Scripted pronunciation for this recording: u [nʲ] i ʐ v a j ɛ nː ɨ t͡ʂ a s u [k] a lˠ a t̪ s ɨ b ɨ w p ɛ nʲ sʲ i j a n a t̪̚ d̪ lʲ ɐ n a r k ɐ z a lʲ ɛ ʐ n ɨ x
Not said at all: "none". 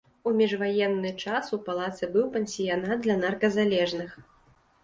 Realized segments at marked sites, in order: mʲ, p

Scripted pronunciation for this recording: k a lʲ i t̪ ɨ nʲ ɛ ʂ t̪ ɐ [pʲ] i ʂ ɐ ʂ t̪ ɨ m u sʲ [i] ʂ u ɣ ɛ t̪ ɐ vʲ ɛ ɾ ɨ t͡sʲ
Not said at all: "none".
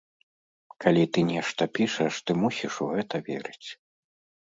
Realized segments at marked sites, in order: pʲ, i

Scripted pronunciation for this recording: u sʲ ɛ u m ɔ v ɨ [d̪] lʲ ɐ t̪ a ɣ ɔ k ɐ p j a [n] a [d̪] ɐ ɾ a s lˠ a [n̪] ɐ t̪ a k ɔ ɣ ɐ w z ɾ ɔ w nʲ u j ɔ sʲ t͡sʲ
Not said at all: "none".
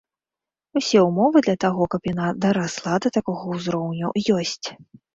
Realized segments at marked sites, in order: d̪, n, d̪, d̪

